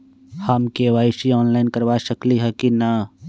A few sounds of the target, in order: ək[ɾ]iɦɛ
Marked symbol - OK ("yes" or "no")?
no